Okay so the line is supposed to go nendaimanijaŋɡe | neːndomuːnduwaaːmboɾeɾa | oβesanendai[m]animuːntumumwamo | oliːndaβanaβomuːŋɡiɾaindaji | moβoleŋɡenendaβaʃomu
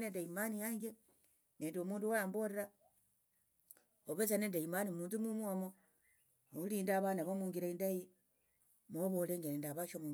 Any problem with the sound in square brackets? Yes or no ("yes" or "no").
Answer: no